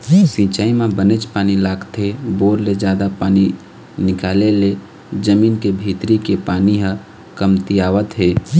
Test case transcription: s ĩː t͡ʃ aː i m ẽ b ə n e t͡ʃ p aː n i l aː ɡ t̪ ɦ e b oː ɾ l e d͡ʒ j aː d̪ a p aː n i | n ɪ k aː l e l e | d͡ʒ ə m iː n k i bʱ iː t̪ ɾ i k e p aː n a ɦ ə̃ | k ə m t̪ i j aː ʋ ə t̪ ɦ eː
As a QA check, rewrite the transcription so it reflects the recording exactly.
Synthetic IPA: s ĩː t͡ʃ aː i m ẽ b ə n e t͡ʃ p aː n i l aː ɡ t̪ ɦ e b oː ɾ l e d͡ʒ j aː d̪ a p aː n i | n ɪ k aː l e l e | d͡ʒ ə m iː n k e bʱ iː t̪ ɾ i k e p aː n i ɦ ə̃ | k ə m t̪ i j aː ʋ ə t̪ ɦ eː